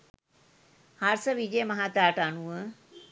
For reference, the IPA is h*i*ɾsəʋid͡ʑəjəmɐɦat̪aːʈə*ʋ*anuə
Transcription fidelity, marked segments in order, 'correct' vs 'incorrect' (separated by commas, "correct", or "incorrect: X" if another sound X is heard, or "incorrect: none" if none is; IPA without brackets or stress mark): incorrect: a, incorrect: none